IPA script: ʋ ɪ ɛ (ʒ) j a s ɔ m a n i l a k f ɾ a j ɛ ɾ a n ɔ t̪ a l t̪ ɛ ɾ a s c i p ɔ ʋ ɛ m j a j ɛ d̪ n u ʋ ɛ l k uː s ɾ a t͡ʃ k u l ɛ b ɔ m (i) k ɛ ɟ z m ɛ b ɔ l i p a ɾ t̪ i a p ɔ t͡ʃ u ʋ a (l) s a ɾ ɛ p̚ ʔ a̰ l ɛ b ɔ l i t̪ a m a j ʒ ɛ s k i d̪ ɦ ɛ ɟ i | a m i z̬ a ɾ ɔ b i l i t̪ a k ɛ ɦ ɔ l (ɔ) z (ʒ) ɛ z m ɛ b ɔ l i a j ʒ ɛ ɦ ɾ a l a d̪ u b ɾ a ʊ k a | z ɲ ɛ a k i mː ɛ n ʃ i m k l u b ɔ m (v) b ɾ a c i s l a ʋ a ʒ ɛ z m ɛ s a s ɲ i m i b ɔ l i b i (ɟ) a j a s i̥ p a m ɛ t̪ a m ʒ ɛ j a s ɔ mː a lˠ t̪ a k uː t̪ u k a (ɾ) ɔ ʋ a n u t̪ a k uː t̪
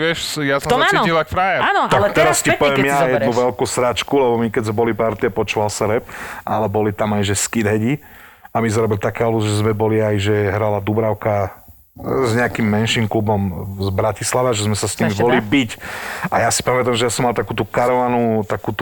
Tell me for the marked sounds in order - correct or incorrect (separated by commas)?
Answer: incorrect, correct, correct, incorrect, correct, incorrect, incorrect, correct